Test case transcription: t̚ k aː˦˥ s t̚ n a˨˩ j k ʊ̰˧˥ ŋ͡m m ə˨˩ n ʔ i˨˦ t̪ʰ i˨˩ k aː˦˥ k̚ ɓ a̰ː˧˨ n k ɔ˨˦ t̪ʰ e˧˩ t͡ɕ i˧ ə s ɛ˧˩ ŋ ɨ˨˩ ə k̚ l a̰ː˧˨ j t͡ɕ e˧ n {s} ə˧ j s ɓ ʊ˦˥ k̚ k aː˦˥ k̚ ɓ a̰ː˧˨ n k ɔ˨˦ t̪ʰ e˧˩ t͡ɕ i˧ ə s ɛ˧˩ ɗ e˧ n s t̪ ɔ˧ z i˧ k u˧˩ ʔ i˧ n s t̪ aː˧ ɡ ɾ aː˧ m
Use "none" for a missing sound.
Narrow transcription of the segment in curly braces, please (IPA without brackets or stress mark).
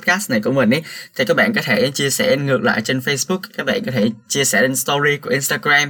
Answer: f